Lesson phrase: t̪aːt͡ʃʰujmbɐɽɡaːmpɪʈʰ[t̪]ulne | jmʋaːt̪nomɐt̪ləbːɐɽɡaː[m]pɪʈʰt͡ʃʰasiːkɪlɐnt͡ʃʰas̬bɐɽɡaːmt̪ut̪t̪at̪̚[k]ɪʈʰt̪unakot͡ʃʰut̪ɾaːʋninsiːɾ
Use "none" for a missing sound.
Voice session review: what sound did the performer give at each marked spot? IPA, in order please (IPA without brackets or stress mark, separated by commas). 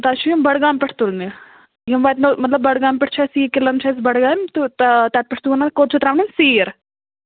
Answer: t̪, m, p